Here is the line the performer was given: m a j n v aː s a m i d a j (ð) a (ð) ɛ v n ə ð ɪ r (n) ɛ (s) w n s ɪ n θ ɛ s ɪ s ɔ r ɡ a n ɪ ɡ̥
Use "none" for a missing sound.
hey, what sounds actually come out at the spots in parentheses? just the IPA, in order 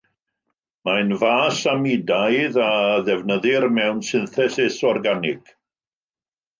ð, ð, m, none

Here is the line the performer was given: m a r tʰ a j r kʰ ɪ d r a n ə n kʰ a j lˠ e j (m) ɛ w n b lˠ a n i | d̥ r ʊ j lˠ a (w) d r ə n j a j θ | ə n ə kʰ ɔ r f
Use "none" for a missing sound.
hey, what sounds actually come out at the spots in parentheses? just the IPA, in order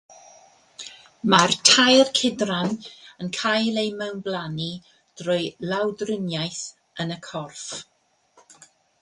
m, w

